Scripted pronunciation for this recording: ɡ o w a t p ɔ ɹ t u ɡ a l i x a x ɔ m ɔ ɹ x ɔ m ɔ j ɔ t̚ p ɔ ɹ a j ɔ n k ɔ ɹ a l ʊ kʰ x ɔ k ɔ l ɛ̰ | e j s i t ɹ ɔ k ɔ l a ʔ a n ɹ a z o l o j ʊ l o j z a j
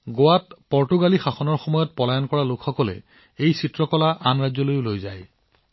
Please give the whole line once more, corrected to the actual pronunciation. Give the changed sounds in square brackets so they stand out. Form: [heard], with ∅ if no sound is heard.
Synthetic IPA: ɡ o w a t p ɔ ɹ t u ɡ a l i x a x ɔ [n] ɔ ɹ x ɔ m ɔ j ɔ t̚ p ɔ [l] a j ɔ n k ɔ ɹ a l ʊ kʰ x ɔ k ɔ l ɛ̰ | e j s i t ɹ ɔ k ɔ l a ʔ a n ɹ a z [ɔ] l o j ʊ l o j z a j